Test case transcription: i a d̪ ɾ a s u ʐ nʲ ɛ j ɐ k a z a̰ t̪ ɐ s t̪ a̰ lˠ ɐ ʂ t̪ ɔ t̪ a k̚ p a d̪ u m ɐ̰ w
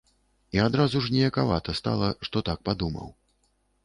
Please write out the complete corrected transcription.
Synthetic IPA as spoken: i a d̪ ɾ a z u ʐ nʲ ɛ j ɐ k a v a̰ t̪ ɐ s t̪ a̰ lˠ ɐ ʂ t̪ ɔ t̪ a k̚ p a d̪ u m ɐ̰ w